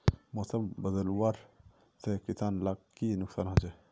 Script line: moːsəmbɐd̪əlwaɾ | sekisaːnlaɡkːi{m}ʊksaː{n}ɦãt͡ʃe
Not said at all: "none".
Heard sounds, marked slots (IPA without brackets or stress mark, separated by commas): n, n